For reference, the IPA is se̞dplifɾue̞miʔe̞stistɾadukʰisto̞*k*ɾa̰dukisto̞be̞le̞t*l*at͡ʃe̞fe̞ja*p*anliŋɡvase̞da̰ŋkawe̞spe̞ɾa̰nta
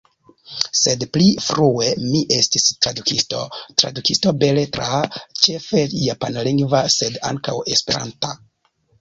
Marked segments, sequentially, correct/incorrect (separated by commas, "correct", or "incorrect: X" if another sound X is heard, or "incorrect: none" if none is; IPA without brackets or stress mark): incorrect: t, incorrect: ɾ, correct